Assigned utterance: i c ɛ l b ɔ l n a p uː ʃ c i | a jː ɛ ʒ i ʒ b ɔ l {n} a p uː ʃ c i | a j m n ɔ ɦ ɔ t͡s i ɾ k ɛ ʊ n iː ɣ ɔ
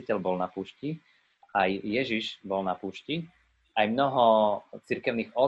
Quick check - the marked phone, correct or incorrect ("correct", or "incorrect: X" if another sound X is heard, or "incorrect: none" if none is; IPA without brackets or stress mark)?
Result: correct